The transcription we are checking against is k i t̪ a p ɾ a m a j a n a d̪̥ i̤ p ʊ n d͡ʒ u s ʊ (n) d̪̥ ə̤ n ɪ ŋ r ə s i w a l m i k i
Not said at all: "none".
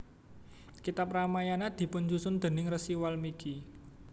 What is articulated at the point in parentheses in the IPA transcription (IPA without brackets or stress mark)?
n